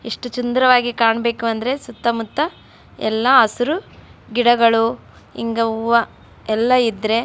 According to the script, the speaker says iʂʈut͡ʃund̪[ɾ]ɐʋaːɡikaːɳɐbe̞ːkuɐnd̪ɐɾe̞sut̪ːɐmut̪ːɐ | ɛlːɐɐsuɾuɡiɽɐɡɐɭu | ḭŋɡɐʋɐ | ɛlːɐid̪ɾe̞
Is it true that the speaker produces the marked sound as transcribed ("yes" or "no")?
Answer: yes